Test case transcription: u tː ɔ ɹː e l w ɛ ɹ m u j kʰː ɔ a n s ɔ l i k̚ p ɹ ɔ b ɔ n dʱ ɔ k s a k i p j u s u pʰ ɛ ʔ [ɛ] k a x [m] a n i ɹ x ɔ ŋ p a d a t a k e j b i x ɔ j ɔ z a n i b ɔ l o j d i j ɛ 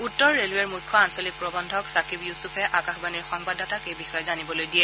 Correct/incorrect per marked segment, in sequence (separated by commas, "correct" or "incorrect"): incorrect, incorrect